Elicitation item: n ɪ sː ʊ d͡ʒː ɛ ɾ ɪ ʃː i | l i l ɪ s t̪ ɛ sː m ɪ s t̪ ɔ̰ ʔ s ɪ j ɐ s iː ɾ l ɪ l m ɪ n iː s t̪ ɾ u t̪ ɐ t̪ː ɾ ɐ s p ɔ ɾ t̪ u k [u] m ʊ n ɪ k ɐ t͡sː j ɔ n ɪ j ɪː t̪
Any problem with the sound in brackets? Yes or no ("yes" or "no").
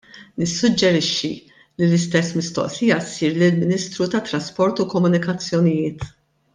yes